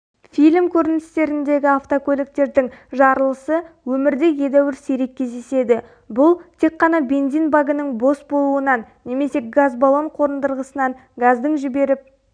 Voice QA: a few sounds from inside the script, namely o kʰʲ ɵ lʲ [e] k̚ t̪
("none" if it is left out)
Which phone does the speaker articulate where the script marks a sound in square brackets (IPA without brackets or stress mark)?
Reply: e